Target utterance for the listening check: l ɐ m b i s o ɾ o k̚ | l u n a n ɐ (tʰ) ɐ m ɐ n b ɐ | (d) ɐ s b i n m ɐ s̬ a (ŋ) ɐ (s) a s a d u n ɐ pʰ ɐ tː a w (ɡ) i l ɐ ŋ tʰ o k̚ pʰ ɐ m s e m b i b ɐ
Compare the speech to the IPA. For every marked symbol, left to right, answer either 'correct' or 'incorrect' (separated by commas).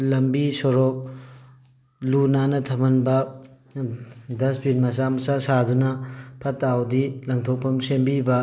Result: correct, correct, incorrect, correct, incorrect